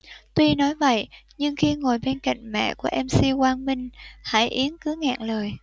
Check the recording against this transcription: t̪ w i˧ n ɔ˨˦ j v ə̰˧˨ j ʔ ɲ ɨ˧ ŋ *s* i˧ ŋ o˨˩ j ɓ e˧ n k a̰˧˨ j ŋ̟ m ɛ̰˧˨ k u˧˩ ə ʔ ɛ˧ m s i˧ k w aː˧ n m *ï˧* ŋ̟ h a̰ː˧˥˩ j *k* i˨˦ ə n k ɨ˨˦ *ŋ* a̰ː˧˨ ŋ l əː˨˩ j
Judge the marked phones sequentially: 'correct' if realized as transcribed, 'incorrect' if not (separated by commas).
incorrect, correct, incorrect, correct